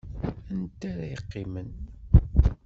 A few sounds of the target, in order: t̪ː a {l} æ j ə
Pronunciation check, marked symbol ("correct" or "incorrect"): incorrect